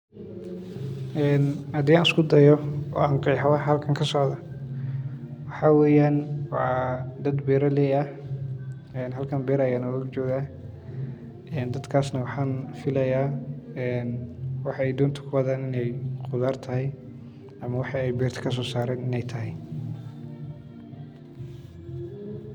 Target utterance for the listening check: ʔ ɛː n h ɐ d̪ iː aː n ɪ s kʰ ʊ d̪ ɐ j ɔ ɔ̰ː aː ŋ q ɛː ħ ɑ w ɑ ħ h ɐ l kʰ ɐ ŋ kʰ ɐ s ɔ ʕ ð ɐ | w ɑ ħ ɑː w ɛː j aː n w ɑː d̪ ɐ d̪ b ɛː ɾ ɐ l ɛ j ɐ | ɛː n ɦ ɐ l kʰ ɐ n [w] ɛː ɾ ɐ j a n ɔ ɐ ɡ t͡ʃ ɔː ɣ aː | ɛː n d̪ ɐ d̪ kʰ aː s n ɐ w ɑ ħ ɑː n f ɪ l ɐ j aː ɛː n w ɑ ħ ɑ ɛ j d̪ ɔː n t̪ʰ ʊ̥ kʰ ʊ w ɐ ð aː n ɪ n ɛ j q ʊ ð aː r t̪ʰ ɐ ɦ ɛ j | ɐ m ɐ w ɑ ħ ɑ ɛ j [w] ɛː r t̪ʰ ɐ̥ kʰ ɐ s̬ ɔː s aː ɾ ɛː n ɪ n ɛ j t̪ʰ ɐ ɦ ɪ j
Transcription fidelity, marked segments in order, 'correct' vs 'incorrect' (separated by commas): incorrect, incorrect